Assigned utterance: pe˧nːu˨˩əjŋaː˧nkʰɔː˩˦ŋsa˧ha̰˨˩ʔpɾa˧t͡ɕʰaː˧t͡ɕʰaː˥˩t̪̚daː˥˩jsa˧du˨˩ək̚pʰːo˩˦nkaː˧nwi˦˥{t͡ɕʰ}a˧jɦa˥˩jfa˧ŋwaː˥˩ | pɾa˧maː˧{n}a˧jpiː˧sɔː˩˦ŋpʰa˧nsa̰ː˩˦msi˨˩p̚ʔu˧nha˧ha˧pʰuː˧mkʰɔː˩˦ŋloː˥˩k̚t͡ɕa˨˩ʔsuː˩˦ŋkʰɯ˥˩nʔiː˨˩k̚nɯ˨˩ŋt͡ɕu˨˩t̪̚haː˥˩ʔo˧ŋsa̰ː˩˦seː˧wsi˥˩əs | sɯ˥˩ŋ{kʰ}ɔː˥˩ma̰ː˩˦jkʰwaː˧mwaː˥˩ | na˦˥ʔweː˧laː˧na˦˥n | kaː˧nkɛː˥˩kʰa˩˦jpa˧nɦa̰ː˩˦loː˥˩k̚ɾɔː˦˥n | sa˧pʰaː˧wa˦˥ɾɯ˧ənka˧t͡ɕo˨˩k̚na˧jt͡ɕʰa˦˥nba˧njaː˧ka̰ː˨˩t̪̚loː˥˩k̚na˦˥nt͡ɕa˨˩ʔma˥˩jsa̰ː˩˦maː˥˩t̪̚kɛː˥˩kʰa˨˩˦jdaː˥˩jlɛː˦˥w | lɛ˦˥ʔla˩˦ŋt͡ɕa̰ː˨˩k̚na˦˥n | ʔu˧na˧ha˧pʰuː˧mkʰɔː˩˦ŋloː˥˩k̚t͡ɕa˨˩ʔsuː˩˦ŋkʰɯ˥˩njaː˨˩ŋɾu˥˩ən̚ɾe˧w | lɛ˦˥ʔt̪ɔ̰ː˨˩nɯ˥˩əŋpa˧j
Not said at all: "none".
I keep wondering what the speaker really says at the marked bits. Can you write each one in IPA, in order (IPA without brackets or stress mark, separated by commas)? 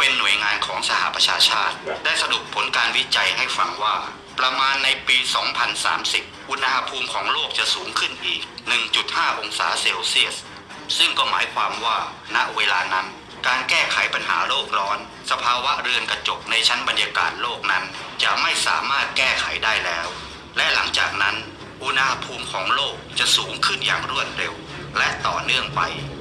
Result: t͡ɕ, nː, k